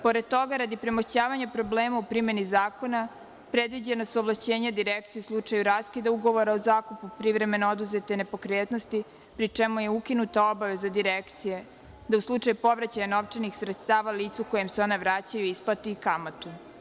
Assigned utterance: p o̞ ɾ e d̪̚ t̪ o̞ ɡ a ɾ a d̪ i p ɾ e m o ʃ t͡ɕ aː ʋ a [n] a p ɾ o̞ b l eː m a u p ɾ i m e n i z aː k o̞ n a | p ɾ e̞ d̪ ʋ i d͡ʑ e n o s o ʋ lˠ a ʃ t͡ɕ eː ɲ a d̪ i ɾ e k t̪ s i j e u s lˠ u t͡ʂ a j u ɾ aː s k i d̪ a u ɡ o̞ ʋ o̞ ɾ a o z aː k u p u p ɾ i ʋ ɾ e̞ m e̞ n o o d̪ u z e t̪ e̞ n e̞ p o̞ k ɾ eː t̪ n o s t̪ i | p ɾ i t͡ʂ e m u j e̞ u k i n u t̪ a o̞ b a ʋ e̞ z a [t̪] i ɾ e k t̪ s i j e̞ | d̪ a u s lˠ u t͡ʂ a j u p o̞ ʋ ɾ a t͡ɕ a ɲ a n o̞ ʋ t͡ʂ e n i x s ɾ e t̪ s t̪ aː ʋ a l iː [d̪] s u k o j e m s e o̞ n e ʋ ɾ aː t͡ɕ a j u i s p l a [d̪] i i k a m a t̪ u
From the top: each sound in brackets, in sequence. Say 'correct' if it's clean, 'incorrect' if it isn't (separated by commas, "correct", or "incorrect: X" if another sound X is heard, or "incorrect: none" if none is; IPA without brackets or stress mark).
incorrect: ɲ, incorrect: d̪, incorrect: t̪, incorrect: t̪